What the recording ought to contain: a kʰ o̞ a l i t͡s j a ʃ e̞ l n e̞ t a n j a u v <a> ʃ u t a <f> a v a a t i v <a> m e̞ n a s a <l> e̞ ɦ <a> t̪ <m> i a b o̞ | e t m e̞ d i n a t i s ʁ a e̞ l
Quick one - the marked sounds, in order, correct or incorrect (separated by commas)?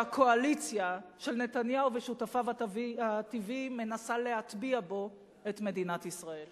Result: incorrect, correct, incorrect, correct, correct, incorrect